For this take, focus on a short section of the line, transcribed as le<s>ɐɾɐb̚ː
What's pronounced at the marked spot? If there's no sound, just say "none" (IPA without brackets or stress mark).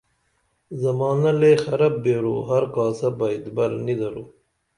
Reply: x